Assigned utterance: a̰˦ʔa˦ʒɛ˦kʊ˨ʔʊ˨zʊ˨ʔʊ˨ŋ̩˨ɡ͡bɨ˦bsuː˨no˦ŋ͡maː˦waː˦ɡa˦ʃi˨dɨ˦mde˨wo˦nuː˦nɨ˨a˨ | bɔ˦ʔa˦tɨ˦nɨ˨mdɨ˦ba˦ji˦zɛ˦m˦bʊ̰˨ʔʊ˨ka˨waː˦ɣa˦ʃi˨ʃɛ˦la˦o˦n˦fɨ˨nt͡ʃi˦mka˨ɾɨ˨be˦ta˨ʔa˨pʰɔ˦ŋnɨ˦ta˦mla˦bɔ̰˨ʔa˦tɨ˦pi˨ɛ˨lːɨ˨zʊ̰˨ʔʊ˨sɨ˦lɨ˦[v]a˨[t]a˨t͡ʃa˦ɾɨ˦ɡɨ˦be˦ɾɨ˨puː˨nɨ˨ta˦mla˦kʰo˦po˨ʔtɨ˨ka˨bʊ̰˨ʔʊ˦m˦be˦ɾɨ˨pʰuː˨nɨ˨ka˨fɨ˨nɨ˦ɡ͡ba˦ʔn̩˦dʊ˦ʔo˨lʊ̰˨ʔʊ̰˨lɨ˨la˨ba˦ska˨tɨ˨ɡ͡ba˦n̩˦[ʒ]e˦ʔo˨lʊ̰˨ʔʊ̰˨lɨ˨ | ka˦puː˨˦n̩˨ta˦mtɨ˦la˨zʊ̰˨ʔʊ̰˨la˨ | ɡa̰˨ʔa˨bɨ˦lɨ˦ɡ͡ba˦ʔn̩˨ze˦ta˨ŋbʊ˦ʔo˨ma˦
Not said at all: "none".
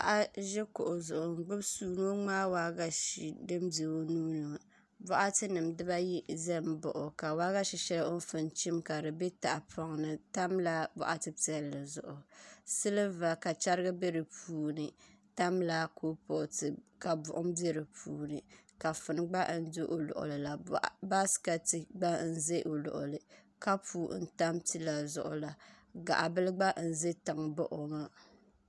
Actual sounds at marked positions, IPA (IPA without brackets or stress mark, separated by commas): v, k, z